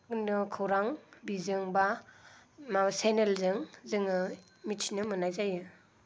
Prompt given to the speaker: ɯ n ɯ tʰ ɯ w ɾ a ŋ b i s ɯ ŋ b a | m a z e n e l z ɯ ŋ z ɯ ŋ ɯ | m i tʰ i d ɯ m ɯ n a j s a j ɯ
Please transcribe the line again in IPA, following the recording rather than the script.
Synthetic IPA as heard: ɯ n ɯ kʰ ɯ w ɾ a ŋ b i z ɯ ŋ b a | m a s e n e l z ɯ ŋ z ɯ ŋ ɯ | m i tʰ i n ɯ m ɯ n a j z a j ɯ